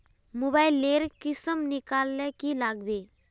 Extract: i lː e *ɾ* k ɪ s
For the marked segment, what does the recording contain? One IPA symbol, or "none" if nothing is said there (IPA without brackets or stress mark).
ɾ